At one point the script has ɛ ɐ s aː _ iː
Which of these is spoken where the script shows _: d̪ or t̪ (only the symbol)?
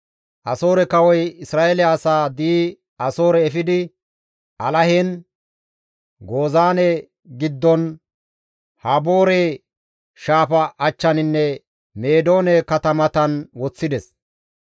d̪